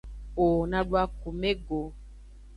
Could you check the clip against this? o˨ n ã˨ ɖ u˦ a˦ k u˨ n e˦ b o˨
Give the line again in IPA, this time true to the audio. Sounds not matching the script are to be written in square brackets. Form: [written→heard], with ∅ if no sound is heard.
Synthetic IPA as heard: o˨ n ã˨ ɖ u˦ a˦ k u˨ [n→m] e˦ [b→ɡ] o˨